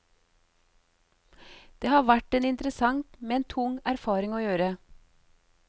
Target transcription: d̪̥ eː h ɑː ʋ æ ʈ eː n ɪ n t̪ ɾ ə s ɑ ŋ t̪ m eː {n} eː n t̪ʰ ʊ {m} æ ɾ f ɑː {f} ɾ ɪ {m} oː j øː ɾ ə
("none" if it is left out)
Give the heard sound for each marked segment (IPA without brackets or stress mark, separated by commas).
none, ŋ, none, ŋ